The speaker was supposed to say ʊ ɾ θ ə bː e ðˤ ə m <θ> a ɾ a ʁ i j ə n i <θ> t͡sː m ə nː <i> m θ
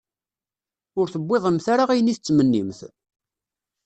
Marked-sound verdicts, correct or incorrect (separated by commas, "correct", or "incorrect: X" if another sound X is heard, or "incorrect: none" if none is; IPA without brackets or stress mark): correct, correct, correct